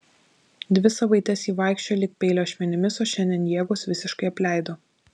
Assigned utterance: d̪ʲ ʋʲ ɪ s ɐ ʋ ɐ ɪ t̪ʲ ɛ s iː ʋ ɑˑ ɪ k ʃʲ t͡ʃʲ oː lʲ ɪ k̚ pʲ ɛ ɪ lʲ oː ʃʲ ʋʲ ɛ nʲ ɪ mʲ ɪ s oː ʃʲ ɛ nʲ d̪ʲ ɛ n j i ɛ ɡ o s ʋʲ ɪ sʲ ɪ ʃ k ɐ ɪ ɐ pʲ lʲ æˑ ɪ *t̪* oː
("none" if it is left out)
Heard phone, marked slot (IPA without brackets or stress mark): d̪